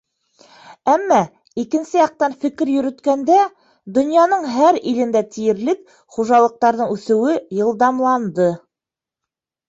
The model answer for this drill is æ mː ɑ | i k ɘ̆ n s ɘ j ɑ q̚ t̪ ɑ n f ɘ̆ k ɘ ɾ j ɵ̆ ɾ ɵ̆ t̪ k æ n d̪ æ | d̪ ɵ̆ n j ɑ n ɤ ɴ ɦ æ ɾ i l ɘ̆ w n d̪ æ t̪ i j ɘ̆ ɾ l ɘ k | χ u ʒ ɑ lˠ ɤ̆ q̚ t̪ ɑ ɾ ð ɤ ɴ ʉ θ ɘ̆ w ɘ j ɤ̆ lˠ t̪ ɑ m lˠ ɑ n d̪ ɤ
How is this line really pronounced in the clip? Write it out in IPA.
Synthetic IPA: æ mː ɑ | i k ɘ̆ n s ɘ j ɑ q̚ t̪ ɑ n f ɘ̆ k ɘ ɾ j ɵ̆ ɾ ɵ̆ t̪ k æ n d̪ æ | d̪ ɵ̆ n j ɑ n ɤ ɴ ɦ æ ɾ i l ɘ̆ n d̪ æ t̪ i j ɘ̆ ɾ l ɘ k | χ u ʒ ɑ lˠ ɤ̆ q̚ t̪ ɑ ɾ ð ɤ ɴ ʉ θ ɘ̆ w ɘ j ɤ̆ lˠ d̪ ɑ m lˠ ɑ n d̪ ɤ